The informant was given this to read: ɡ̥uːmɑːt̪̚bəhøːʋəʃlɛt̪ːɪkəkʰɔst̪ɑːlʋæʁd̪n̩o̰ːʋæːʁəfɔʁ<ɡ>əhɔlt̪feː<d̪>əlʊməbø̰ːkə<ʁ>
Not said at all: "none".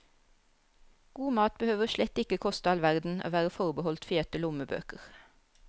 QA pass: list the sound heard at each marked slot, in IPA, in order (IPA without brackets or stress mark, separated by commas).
b, t̪, ʁ